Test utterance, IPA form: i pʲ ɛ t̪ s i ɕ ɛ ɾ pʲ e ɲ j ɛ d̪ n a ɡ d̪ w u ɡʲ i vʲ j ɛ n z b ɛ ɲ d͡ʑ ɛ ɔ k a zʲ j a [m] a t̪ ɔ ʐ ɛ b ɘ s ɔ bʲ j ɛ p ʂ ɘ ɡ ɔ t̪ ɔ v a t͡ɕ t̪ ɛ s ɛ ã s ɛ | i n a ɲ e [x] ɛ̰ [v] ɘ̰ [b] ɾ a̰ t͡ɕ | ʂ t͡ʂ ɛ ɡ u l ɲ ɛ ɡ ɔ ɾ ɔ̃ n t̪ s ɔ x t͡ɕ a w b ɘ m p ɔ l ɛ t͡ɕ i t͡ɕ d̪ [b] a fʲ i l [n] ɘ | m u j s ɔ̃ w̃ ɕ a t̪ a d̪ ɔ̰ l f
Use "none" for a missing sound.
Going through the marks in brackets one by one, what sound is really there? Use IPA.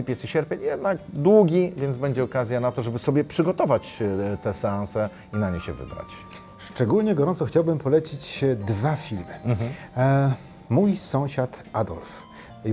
n, ɕ, v, b, v, m

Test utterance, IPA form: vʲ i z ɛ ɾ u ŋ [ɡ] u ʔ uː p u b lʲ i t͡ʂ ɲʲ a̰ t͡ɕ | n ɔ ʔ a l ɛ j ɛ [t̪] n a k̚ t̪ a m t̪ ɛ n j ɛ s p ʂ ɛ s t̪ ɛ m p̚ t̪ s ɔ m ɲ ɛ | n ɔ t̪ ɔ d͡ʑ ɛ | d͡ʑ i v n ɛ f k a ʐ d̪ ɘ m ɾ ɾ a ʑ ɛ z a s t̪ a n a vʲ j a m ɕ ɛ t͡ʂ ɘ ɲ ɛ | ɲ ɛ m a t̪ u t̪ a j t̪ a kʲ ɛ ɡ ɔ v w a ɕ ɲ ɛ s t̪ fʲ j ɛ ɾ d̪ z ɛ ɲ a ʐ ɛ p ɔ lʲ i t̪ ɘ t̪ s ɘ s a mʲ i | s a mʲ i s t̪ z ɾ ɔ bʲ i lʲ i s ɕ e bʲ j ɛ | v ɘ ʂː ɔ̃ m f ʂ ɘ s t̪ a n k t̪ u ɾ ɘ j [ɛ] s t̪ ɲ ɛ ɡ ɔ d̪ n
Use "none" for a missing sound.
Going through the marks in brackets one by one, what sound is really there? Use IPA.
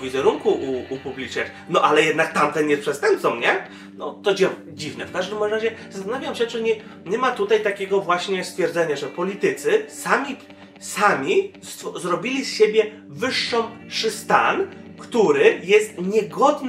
k, d̪, ɛ

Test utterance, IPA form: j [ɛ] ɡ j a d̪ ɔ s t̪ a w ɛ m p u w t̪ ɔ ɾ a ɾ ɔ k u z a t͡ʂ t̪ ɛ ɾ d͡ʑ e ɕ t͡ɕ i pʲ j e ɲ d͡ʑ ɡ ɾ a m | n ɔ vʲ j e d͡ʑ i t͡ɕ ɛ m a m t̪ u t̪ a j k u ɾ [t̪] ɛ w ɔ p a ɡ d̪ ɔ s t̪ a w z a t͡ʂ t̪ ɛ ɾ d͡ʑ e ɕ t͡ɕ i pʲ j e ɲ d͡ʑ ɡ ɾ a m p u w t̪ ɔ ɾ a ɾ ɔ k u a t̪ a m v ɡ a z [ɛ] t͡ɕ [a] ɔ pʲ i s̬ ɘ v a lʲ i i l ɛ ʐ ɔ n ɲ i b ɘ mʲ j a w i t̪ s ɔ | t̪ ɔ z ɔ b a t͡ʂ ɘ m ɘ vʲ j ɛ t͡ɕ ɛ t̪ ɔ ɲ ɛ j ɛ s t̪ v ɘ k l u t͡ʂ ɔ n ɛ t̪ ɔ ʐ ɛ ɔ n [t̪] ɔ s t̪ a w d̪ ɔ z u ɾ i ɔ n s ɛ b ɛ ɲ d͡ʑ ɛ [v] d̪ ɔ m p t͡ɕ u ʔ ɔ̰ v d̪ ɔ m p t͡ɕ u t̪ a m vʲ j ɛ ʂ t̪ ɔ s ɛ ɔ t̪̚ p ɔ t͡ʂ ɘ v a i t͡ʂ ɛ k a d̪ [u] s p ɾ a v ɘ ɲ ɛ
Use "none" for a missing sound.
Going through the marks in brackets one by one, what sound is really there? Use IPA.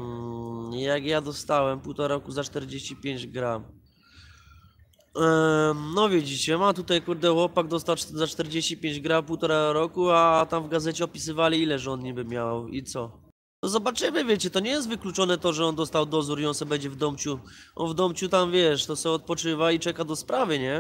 a, d̪, ɛ, ɛ, d̪, v, ɔ

